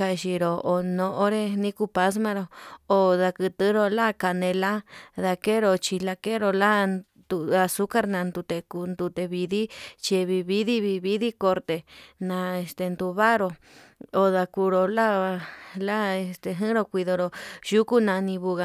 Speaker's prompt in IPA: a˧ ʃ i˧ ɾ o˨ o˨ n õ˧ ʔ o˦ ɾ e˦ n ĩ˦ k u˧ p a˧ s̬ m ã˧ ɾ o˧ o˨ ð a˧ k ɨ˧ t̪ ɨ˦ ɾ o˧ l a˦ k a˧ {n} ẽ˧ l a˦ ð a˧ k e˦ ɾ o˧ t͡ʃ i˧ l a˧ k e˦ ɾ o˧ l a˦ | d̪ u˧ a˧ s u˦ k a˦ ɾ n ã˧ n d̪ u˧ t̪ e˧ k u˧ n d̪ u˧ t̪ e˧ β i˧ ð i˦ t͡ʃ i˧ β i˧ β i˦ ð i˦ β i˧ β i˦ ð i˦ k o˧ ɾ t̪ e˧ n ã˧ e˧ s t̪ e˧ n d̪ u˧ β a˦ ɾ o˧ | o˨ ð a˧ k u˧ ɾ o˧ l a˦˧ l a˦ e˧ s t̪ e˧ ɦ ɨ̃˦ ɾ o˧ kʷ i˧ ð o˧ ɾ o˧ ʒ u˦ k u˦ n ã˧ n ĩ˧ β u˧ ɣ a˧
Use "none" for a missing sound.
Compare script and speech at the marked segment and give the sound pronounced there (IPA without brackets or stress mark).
n